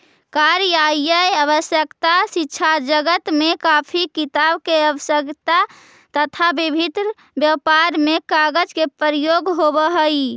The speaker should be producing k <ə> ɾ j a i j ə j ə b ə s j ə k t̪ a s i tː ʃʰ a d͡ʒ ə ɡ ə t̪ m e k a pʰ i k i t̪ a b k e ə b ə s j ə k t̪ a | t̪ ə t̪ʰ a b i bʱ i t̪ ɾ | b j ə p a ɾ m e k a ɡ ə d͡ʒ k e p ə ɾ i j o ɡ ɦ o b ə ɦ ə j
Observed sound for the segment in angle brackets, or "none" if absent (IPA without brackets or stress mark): a